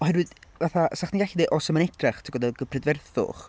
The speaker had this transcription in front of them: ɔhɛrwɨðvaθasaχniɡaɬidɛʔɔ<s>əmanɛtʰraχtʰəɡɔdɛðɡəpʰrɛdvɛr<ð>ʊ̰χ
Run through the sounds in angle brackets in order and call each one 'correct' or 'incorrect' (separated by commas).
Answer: correct, incorrect